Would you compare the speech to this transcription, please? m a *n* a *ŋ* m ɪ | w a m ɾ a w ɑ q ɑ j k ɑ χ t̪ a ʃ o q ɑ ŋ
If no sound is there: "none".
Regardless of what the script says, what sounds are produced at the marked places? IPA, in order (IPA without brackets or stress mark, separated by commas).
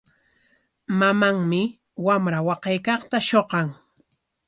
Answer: m, ŋ